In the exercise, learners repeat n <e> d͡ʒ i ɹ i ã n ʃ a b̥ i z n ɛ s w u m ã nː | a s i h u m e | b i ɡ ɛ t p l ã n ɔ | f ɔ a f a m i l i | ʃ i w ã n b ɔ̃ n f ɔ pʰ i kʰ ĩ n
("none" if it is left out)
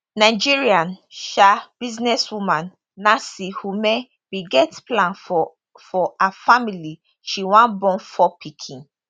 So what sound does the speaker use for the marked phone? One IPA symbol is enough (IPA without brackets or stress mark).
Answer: a